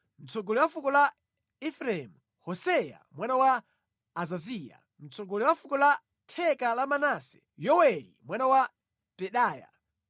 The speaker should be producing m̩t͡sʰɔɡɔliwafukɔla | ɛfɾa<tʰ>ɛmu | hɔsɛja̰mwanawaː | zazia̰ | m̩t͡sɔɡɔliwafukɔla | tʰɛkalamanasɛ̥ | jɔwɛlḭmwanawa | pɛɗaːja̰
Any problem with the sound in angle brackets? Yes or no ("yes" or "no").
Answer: yes